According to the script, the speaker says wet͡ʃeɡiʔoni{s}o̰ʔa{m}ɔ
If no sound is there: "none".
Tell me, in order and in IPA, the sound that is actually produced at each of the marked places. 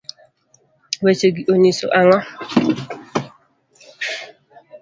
s, ŋ

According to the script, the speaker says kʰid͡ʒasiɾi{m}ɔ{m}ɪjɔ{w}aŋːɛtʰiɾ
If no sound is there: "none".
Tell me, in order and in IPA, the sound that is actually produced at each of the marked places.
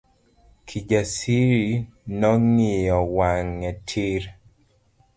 n, ŋ, w

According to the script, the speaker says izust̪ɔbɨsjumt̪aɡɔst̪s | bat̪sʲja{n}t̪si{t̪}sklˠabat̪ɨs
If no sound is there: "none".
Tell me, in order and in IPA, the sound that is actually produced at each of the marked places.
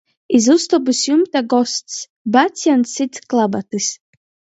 n, t̪

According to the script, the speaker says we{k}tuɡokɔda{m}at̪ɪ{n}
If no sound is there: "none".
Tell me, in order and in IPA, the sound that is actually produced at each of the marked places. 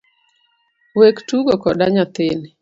k, ɲ, n

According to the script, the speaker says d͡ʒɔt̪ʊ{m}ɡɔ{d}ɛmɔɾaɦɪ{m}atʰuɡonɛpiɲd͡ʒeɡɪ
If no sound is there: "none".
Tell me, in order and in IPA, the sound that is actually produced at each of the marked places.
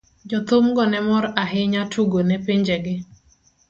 m, n, ɲ

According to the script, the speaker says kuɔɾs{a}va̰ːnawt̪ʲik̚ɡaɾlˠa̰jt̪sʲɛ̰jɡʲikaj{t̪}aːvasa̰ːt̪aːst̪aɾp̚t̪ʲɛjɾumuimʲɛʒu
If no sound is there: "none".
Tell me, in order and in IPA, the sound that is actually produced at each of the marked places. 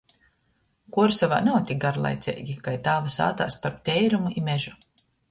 a, t̪

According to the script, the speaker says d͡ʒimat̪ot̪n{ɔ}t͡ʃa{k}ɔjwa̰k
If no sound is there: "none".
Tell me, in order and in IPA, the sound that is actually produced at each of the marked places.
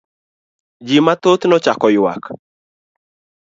ɔ, k

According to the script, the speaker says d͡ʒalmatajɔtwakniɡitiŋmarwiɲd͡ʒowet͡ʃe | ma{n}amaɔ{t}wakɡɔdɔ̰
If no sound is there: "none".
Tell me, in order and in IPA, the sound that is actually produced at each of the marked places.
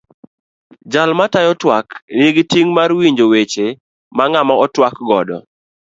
ŋ, t

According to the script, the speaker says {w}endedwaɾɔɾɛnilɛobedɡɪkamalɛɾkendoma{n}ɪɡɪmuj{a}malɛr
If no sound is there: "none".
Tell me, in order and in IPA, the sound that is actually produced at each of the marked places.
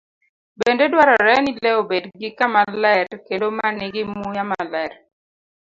b, n, a

